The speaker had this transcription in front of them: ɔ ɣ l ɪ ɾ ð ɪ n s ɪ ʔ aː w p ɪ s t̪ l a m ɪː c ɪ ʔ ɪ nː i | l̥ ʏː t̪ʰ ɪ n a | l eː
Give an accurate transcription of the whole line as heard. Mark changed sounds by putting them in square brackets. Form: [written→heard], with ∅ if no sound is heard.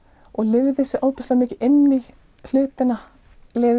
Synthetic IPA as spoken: ɔ ɣ l ɪ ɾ ð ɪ [n→∅] s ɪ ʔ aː w p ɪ s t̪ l a m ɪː c ɪ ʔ ɪ nː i | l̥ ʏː [t̪ʰ→t̪] ɪ n a | l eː

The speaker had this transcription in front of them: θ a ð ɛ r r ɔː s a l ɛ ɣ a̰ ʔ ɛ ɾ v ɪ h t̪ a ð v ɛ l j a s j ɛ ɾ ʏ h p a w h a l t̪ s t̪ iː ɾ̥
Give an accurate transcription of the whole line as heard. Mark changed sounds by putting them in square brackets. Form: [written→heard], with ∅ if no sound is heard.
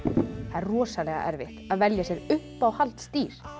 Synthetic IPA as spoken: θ a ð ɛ r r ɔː s a l ɛ ɣ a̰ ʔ ɛ ɾ v ɪ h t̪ a ð v ɛ l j a s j ɛ ɾ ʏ h p a w h a l t̪ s t̪ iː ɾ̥

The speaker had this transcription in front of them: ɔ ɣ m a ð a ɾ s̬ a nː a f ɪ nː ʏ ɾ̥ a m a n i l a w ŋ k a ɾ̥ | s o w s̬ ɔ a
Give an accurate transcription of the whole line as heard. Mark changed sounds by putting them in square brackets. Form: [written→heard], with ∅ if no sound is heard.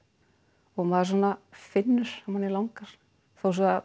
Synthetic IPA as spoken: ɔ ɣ m a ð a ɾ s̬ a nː a f ɪ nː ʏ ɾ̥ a m a n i l a w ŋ k a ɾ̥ | [s→θ] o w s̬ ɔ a

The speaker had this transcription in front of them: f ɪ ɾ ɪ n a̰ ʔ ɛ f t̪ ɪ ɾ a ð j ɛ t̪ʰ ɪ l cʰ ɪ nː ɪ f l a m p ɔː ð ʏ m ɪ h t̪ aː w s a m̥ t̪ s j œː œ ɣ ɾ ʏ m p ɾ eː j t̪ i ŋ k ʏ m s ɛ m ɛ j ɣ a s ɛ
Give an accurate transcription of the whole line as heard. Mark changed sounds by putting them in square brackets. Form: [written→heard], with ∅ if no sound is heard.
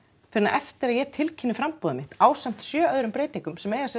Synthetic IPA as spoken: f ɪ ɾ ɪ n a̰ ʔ ɛ f t̪ ɪ ɾ a ð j ɛ t̪ʰ ɪ l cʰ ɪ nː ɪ f [l→ɾ] a m p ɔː ð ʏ m ɪ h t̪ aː w s a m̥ t̪ s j œː œ [ɣ→ð] ɾ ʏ m p ɾ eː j t̪ i ŋ k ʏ m s ɛ m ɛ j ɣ a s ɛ

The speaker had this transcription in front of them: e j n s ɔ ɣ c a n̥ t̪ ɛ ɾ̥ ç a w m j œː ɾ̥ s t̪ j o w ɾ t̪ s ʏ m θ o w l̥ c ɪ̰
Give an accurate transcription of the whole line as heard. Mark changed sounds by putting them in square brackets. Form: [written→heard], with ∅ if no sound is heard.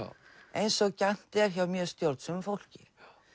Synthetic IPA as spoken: e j n s ɔ ɣ c a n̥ t̪ ɛ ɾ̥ ç a w m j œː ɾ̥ s t̪ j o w ɾ t̪ s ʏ m [θ→f] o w l̥ c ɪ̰

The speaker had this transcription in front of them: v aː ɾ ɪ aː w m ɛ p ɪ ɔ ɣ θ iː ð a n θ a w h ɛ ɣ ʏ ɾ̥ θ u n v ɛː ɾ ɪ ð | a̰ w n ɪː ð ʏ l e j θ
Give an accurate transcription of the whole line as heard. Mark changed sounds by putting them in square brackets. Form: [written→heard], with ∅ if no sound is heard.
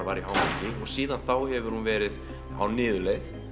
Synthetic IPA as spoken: v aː ɾ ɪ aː w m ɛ [p→c] ɪ ɔ ɣ [θ→s] iː ð a n θ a w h ɛ [ɣ→v] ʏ ɾ̥ [θ→h] u n v ɛː ɾ ɪ ð | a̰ w n ɪː ð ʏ l e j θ

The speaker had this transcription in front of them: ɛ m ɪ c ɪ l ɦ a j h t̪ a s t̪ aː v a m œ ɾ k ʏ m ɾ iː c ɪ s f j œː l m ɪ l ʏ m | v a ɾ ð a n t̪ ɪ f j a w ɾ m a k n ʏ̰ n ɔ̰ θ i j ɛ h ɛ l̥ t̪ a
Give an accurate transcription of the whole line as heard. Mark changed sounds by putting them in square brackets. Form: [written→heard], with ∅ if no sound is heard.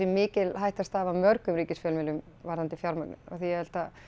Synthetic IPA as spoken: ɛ m [ɪ→ɪː] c ɪ l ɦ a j h t̪ a s t̪ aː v a m œ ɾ k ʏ m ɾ iː c ɪ s f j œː l m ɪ l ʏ m | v a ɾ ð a n t̪ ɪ f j a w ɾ m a k n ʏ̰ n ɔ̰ θ i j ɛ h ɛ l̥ t̪ a

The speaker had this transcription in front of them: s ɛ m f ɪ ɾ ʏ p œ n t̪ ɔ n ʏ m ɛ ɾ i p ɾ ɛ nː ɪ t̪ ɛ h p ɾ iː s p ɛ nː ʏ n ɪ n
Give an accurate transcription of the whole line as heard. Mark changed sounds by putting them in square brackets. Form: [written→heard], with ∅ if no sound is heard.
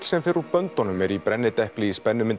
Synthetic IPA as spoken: s ɛ m f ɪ ɾ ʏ p œ n t̪ ɔ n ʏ m ɛ ɾ i p ɾ ɛ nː ɪ t̪ ɛ h p [ɾ→l] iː s p ɛ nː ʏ [n→m] ɪ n

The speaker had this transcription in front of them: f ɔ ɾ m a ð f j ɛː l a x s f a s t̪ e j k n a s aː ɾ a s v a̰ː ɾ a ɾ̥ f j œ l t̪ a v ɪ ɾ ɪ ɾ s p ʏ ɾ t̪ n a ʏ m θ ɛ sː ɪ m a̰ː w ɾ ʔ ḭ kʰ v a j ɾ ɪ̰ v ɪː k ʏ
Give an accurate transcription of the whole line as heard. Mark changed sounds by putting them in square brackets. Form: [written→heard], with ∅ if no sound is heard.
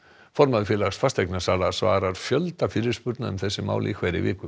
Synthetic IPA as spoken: f ɔ ɾ m a ð f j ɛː l a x s f a s t̪ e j k n a s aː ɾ a s v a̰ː ɾ a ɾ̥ f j œ l t̪ a [v→f] ɪ ɾ ɪ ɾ s p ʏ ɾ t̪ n a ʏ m θ ɛ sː ɪ m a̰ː w [ɾ→l] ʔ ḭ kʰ v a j ɾ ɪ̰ v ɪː k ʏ

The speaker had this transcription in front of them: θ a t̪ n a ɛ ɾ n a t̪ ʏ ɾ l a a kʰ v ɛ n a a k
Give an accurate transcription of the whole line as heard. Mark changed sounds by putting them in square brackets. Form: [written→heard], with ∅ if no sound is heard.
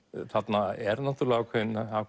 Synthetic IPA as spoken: θ a t̪ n a ɛ ɾ n a t̪ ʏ ɾ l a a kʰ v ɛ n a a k

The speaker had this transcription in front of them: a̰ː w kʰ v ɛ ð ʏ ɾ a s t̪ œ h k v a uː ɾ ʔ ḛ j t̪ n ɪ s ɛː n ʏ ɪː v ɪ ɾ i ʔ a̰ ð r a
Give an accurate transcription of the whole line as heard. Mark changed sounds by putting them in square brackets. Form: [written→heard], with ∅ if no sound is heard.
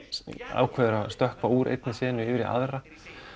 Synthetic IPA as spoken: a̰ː w kʰ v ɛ ð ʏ ɾ a s t̪ œ h k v a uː ɾ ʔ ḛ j t̪ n ɪ s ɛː n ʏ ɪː v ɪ ɾ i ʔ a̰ ð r a

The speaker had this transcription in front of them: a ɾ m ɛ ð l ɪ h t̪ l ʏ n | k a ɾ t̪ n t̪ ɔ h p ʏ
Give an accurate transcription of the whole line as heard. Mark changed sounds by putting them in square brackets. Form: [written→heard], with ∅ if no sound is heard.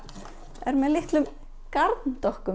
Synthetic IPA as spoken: [a→ɛ] ɾ m ɛ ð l ɪ h t̪ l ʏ [n→m] | k a ɾ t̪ n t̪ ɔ h [p→k] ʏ

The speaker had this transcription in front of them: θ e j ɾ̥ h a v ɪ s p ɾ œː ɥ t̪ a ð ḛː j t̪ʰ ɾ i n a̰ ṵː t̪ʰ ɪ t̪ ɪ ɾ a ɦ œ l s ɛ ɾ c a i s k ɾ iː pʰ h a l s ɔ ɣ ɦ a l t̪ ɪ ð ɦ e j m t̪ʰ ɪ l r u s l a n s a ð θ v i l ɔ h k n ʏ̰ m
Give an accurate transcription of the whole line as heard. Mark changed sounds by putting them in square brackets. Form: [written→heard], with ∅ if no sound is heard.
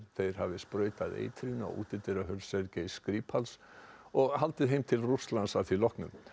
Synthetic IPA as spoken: θ e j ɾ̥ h a v ɪ s p ɾ œː ɥ t̪ a ð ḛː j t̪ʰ ɾ i n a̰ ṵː [t̪ʰ→t̪] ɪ t̪ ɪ ɾ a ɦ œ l s ɛ ɾ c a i s k ɾ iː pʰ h a l s ɔ ɣ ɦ a l t̪ ɪ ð ɦ e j m t̪ʰ ɪ l r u s l a n s a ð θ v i l ɔ h k n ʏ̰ m

